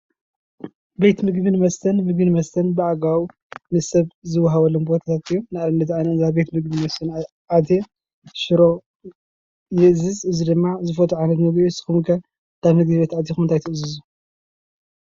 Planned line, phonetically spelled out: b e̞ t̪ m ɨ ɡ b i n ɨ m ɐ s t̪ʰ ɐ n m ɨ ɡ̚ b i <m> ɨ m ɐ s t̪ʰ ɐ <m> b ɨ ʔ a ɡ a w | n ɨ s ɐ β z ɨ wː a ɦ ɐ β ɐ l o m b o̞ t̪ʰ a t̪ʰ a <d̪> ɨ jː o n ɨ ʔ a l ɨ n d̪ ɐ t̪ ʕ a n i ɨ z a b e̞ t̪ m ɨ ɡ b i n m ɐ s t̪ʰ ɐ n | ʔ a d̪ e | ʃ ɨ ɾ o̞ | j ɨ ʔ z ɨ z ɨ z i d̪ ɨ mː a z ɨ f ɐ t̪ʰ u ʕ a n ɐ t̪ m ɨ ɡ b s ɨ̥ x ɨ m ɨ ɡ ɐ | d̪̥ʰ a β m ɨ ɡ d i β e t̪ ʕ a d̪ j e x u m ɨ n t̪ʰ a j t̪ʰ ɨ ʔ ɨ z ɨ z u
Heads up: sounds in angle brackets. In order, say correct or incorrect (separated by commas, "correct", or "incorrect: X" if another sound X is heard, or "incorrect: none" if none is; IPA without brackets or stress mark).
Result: incorrect: n, incorrect: n, incorrect: t̪